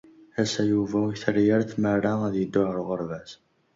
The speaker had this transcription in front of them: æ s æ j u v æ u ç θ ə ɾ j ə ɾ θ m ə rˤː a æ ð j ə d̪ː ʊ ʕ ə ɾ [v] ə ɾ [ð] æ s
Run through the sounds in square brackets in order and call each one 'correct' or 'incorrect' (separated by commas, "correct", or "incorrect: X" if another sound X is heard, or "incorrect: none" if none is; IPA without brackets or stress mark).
incorrect: ʁ, incorrect: v